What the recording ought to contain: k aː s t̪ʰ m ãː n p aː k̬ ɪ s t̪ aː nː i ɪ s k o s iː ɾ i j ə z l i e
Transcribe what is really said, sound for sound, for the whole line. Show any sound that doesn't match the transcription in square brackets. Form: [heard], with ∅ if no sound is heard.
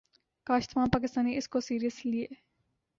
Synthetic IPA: k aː [ʃ] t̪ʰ m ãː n p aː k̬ ɪ s t̪ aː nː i ɪ s k o s iː ɾ i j ə [s] l i e

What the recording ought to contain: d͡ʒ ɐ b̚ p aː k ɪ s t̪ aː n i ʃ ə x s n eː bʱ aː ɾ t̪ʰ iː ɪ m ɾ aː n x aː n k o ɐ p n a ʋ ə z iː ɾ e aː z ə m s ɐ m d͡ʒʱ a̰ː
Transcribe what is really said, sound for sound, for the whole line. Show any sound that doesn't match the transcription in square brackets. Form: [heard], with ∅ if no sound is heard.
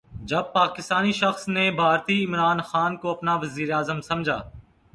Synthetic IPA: d͡ʒ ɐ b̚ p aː k ɪ s t̪ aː n i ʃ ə x s n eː bʱ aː ɾ [t̪] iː ɪ m ɾ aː n x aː n k o ɐ p n a ʋ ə z iː ɾ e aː z ə m s ɐ m d͡ʒʱ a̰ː

